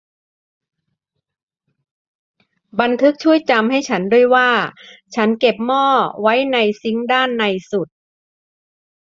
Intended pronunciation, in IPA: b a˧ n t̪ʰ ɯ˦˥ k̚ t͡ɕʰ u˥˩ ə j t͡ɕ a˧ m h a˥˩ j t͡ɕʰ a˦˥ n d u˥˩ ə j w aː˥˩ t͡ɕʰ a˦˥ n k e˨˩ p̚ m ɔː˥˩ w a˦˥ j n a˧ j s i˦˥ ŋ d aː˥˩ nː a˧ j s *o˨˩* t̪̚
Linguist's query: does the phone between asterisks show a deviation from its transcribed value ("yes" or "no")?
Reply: yes